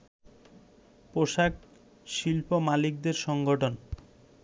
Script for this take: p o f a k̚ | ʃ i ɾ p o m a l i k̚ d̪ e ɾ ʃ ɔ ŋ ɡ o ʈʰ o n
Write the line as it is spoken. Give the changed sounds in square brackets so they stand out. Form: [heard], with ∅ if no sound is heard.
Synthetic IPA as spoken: p o [ʃ] a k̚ | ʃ i [l] p o m a l i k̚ d̪ e ɾ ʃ ɔ ŋ ɡ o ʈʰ o n